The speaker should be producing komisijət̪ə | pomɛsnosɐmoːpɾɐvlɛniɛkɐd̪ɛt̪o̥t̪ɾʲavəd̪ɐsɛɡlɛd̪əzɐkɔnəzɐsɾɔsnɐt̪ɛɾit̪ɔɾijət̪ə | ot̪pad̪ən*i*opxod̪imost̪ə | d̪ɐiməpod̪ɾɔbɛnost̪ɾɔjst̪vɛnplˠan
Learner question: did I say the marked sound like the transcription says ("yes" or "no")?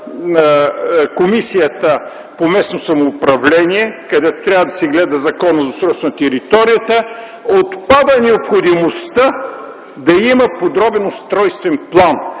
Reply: no